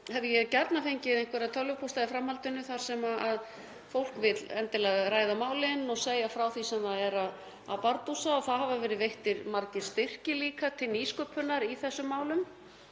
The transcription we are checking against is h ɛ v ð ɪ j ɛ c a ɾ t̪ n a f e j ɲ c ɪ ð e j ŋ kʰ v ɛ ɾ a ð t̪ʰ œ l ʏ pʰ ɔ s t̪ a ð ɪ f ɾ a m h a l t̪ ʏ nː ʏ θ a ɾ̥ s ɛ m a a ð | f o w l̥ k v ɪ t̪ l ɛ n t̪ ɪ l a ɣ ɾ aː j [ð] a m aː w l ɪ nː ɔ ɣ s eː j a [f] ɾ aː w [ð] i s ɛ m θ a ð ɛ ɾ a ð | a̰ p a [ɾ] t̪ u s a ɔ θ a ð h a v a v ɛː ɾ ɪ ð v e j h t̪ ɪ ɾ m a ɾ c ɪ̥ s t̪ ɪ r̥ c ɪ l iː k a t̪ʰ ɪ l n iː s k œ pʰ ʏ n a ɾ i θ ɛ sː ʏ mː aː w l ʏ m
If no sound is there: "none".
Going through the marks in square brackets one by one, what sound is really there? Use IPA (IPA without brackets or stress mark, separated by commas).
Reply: ð, f, θ, ɾ